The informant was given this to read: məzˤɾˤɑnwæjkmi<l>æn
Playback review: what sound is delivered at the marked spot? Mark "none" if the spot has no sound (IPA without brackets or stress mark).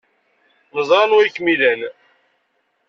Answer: l